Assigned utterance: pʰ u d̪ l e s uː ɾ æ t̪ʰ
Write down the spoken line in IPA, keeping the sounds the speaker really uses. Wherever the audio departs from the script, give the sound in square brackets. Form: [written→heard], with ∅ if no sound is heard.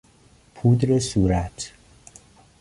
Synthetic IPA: pʰ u d̪ [l→ɾ] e s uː ɾ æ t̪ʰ